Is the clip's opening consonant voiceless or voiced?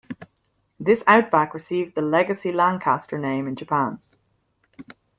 voiced